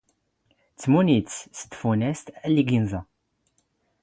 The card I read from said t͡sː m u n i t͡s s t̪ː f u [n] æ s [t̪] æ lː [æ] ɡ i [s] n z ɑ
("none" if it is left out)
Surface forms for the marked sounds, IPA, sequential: n, t̪, i, none

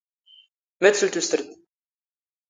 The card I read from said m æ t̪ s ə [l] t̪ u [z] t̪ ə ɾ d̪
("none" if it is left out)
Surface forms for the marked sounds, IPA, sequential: l, s

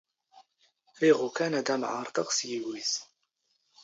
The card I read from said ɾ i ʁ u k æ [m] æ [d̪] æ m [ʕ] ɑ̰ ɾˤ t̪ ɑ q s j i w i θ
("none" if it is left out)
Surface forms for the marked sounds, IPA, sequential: n, d̪, ʕ

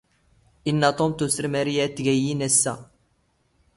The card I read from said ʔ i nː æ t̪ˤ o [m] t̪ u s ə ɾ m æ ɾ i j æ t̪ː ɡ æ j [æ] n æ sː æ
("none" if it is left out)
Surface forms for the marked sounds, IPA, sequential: m, i

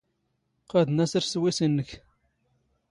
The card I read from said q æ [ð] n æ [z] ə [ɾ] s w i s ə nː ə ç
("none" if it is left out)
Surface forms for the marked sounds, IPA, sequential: ð, s, ɾ

